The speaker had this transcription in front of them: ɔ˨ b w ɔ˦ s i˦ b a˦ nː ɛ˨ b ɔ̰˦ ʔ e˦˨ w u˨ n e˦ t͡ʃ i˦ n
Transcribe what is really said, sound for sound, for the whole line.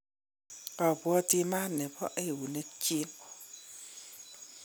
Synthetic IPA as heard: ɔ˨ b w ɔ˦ t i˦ m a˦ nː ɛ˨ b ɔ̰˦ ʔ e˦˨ w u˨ n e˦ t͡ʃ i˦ n